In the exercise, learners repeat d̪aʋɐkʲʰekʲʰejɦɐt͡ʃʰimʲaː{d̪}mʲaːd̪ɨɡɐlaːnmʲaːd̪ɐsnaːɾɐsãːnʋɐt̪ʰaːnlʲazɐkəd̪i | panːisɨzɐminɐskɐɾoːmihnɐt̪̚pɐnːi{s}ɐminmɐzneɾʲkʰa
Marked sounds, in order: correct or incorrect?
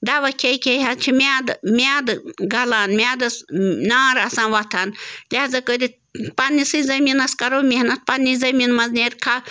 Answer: correct, incorrect: z

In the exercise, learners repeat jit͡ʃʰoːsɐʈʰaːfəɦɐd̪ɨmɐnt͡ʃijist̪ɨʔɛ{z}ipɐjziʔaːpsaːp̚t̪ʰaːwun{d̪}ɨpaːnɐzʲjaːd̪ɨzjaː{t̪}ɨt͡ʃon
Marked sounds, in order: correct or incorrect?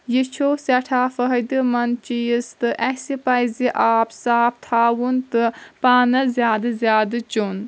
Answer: incorrect: s, incorrect: t̪, incorrect: d̪

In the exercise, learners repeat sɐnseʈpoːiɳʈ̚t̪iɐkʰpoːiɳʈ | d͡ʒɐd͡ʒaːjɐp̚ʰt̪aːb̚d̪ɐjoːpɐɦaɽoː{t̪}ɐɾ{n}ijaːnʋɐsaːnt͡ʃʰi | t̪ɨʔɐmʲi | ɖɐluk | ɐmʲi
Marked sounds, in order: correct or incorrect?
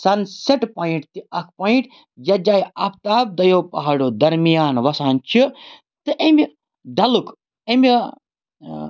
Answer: incorrect: d̪, incorrect: m

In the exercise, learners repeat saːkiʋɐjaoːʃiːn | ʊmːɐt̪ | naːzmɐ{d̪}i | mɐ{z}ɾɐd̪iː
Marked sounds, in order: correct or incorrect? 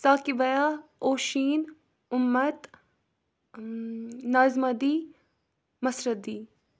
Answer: correct, incorrect: s

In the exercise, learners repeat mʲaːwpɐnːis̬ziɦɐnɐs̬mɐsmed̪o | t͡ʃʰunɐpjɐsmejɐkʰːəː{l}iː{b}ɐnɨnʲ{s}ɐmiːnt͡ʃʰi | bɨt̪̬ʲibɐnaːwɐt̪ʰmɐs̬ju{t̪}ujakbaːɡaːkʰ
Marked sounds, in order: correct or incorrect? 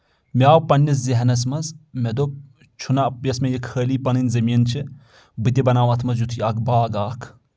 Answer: correct, incorrect: p, incorrect: z, incorrect: t̪ʰ

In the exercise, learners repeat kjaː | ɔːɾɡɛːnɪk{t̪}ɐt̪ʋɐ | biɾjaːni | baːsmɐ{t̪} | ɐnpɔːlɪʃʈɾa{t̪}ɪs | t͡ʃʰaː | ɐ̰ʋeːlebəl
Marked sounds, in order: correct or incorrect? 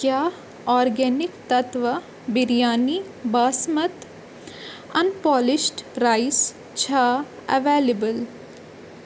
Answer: correct, correct, incorrect: none

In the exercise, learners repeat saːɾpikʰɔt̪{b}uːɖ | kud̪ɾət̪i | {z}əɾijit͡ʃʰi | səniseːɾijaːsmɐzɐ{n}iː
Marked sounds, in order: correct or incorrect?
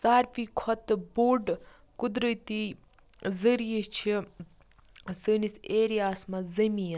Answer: correct, correct, incorrect: m

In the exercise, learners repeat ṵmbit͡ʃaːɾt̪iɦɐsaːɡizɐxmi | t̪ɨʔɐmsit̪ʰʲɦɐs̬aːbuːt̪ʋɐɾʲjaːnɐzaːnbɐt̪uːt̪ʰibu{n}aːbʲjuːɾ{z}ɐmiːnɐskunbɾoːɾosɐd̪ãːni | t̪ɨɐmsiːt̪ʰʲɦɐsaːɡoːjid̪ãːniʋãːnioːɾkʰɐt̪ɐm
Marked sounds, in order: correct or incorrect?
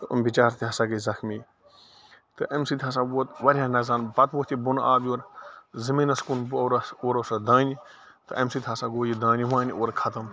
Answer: correct, correct

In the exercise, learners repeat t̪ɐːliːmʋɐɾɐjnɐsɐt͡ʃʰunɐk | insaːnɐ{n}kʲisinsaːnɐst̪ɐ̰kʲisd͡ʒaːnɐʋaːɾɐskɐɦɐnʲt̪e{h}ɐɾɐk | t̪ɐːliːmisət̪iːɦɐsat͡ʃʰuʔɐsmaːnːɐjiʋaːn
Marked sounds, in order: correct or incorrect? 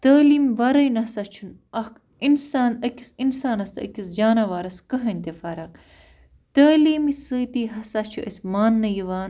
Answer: incorrect: none, incorrect: f

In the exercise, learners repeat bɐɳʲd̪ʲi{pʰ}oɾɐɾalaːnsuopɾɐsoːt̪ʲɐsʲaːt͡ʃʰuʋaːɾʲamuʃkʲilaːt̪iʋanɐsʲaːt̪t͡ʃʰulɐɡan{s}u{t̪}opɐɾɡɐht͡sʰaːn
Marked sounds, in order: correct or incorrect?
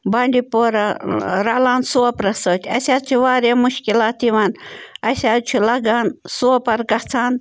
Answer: incorrect: p, correct, incorrect: none

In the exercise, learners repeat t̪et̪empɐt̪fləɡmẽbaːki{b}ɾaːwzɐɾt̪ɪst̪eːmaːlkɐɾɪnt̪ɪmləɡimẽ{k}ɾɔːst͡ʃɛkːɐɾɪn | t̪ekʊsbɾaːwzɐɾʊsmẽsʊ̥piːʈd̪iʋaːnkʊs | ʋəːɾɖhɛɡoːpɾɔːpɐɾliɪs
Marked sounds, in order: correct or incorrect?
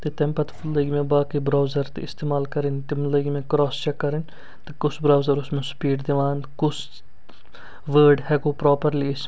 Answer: correct, correct

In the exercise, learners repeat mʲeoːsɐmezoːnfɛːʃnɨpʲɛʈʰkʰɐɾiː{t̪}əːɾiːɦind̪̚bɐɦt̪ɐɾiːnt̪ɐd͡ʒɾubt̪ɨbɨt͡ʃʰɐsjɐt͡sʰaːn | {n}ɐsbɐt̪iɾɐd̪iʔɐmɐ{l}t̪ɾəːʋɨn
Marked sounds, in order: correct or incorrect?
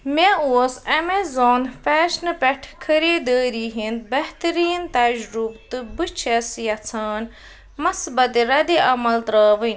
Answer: incorrect: d̪, incorrect: m, correct

